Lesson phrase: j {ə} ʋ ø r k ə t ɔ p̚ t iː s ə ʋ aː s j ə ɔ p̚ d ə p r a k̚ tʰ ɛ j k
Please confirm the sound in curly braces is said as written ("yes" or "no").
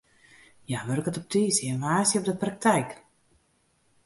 no